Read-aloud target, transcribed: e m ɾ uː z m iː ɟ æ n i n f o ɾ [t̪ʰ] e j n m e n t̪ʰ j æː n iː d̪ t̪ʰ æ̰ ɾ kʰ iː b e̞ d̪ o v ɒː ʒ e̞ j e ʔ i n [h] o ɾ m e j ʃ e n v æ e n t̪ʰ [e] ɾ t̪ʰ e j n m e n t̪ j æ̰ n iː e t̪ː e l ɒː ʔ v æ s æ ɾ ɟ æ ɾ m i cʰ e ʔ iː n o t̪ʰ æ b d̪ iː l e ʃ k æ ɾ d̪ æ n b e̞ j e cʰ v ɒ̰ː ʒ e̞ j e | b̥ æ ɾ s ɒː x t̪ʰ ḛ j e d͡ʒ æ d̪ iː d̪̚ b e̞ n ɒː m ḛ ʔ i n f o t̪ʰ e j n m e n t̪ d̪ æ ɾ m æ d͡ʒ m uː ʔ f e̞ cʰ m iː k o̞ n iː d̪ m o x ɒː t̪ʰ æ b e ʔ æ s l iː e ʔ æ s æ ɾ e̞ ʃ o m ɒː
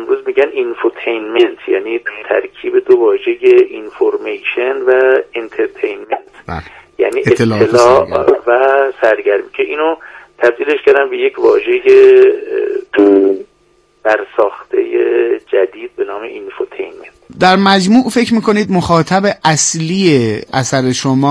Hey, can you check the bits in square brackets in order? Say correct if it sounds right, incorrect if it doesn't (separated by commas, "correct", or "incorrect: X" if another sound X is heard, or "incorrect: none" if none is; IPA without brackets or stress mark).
correct, incorrect: f, correct